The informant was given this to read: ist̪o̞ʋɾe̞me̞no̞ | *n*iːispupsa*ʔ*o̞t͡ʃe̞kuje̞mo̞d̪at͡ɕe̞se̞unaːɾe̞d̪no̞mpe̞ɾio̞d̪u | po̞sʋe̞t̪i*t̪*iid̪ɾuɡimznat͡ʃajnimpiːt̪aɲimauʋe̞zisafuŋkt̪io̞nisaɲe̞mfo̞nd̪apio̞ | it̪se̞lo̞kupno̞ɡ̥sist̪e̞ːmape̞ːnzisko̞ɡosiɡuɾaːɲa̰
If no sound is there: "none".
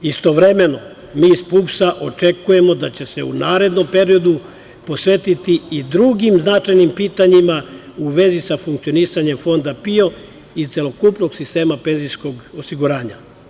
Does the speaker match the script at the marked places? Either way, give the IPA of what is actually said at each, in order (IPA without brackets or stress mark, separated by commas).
m, ʔ, t̪